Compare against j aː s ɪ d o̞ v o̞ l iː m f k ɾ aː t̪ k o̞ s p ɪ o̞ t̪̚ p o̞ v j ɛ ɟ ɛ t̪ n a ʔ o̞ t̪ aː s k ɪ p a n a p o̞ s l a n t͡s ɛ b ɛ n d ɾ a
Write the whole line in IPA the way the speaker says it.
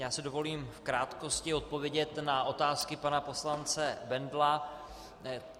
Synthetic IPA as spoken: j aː s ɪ d o̞ v o̞ l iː m f k ɾ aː t̪ k o̞ s c ɪ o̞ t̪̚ p o̞ v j ɛ ɟ ɛ t̪ n a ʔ o̞ t̪ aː s k ɪ p a n a p o̞ s l a n t͡s ɛ b ɛ n d l a